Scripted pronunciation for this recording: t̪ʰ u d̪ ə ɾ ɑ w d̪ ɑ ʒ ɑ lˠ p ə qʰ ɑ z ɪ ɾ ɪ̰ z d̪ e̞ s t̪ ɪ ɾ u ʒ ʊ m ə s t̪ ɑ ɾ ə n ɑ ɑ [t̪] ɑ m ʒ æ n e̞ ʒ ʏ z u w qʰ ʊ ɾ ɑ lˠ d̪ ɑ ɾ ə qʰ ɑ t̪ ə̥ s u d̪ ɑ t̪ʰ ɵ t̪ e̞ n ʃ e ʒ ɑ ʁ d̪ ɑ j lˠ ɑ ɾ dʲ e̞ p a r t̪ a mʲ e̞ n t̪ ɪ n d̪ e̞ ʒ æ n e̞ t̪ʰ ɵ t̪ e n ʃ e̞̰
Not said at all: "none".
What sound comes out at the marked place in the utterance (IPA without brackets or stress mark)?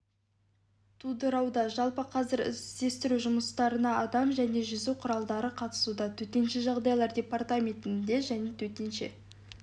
d̪